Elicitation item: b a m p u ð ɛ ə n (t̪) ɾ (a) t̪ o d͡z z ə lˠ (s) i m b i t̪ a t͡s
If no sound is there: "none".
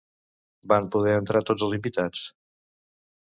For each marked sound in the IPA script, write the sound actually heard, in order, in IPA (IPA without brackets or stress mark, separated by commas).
t̪, a, z